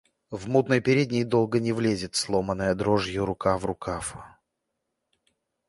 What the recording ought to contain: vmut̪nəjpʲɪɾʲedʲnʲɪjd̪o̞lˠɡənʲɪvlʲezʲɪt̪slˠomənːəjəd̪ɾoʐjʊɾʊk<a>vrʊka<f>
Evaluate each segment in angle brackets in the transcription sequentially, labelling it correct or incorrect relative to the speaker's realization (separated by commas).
correct, correct